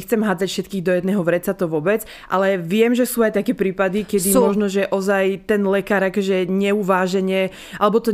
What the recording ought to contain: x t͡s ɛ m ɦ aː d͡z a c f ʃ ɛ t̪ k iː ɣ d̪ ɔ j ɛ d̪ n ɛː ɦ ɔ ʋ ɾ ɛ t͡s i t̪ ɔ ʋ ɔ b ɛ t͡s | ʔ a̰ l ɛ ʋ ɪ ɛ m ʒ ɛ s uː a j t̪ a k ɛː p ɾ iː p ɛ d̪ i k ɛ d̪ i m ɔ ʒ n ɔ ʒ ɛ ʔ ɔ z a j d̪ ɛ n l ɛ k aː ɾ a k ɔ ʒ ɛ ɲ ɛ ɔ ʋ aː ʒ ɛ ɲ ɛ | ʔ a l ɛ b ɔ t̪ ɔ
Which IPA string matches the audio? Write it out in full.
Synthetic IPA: x t͡s ɛ m ɦ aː d͡z a c f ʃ ɛ t̪ k iː ɣ d̪ ɔ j ɛ d̪ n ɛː ɦ ɔ ʋ ɾ ɛ t͡s a t̪ ɔ ʋ ɔ b ɛ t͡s | ʔ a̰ l ɛ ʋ ɪ ɛ m ʒ ɛ s uː a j t̪ a k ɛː p ɾ iː p a d̪ i k ɛ d̪ i m ɔ ʒ n ɔ ʒ ɛ ʔ ɔ z a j t̪ ɛ n l ɛ k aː ɾ a k ɔ ʒ ɛ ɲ ɛ u ʋ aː ʒ ɛ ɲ ɛ | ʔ a l ɛ b ɔ t̪ ɔ